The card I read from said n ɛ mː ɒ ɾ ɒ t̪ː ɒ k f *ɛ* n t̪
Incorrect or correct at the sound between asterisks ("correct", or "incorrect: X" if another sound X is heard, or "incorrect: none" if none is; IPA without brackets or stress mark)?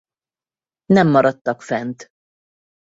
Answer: correct